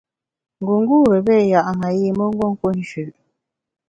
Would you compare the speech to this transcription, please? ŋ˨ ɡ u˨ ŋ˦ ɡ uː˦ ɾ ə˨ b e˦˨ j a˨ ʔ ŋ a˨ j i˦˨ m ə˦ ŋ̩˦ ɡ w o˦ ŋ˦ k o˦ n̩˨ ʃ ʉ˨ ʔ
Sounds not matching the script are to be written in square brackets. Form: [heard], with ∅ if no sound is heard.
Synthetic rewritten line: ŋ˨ ɡ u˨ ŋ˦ ɡ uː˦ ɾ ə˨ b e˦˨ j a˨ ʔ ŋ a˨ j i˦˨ m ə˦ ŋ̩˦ ɡ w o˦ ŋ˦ k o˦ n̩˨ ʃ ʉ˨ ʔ